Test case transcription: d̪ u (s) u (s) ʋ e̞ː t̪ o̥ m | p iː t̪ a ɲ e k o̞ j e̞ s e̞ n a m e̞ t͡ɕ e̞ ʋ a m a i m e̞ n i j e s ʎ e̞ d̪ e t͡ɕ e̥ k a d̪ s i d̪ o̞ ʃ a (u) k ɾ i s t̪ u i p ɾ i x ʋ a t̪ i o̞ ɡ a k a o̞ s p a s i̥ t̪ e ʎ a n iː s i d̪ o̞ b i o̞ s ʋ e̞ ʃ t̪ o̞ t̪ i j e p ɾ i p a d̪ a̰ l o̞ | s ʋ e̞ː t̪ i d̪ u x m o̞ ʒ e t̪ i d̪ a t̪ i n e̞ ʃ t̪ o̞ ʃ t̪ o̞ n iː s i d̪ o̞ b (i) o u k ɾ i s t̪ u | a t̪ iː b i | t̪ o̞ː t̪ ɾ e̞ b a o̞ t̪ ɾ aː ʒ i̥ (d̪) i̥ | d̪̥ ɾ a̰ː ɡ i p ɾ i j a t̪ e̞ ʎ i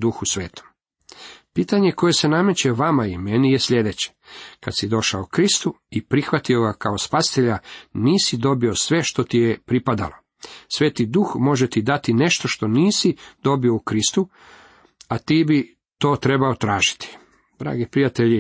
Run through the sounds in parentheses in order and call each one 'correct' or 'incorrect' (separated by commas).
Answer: incorrect, correct, incorrect, correct, incorrect